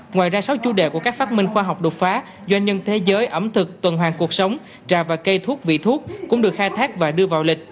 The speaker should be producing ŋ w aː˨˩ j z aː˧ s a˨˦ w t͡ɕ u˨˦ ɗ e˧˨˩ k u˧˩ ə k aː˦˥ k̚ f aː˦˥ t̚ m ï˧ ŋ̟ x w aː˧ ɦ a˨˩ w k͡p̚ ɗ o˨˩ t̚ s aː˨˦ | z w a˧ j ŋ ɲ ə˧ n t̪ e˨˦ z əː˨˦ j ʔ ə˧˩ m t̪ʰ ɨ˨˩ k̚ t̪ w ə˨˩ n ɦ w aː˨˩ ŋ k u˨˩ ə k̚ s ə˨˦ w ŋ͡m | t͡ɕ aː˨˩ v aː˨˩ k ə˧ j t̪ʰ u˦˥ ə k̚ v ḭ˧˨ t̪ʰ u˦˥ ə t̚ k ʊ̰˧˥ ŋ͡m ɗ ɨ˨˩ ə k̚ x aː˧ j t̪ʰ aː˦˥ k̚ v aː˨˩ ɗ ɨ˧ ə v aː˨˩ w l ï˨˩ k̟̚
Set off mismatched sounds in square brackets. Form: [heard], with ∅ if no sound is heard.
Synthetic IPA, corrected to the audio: ŋ w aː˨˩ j z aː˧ s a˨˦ w t͡ɕ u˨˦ ɗ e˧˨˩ k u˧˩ ə k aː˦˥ k̚ f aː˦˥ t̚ m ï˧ ŋ̟ x w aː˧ ɦ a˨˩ w k͡p̚ ɗ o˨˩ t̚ [f] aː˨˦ | z w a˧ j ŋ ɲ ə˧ n [t̪ʰ] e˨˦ z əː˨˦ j ʔ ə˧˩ m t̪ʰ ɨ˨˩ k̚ t̪ w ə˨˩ n ɦ w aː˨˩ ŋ k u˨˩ ə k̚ s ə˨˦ w ŋ͡m | t͡ɕ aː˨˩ v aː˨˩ k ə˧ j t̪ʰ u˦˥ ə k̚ v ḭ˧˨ t̪ʰ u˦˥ ə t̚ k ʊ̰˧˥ ŋ͡m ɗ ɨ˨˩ ə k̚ x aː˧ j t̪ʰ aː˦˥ k̚ v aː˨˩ ɗ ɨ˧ ə v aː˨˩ w l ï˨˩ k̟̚